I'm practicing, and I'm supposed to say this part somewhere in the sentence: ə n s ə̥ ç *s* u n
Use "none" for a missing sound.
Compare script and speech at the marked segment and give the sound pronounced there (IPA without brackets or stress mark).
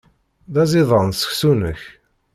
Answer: s